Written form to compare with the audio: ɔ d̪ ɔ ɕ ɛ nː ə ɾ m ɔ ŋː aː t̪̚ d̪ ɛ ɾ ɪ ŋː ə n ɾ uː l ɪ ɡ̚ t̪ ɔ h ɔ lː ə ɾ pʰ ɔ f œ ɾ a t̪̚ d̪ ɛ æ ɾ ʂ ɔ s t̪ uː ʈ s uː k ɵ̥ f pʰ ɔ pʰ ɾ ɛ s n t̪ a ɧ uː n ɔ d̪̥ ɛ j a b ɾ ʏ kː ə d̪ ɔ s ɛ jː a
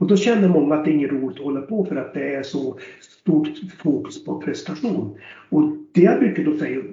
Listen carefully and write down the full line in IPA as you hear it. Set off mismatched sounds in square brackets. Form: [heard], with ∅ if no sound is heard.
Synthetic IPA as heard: ɔ d̪ ɔ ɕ ɛ nː ə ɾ m ɔ ŋː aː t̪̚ d̪ ɛ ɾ ɪ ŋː ə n ɾ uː l ɪ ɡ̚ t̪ ɔ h ɔ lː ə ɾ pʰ ɔ f œ ɾ a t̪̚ d̪ ɛ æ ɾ ʂ ɔ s t̪ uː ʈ [f] uː k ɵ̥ [s] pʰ ɔ pʰ ɾ ɛ s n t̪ a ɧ uː n ɔ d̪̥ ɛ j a b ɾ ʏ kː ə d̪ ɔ s ɛ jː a